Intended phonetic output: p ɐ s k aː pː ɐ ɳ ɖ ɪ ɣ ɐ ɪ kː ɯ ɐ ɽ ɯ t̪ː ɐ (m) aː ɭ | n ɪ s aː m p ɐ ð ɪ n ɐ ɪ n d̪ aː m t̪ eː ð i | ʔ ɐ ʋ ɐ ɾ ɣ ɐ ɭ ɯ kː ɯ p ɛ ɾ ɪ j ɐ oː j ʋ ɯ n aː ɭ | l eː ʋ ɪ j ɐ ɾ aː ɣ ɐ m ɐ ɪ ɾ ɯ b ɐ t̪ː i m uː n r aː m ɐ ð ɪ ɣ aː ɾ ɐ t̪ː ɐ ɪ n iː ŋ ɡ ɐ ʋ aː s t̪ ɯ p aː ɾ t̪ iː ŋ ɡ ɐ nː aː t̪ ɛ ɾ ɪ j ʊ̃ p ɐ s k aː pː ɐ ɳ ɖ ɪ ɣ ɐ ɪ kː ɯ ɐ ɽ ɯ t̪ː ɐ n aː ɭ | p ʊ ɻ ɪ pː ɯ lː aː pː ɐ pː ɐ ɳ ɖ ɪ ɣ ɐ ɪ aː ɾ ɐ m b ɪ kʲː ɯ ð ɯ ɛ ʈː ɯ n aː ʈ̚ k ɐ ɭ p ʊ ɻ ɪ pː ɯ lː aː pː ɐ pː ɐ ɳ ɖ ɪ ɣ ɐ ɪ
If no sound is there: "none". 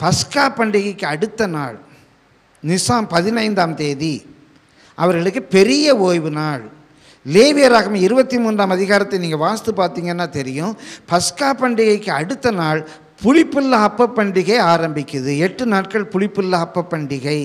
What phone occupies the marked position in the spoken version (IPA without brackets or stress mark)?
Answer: n